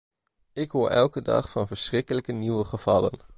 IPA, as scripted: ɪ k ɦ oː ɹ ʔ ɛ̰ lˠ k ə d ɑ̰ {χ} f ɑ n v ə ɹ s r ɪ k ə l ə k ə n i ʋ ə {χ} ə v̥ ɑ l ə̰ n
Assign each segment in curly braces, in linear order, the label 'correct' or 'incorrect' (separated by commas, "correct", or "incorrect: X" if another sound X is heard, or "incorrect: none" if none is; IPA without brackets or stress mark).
correct, correct